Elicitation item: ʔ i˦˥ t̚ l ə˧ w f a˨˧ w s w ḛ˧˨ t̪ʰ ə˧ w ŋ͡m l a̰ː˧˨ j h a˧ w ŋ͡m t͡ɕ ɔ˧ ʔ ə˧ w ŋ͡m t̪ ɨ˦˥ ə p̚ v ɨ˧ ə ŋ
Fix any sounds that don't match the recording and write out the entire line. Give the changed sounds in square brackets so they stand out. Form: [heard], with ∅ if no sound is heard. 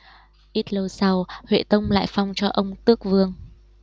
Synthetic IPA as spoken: ʔ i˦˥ t̚ l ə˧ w [s] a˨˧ w [h] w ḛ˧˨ [t̪] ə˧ w ŋ͡m l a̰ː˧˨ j [f] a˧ w ŋ͡m t͡ɕ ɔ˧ ʔ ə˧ w ŋ͡m t̪ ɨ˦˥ ə [k̚] v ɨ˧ ə ŋ